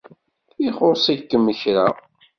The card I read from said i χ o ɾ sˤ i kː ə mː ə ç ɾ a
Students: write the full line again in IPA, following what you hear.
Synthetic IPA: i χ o ɾ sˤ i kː ə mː ə ç ɾ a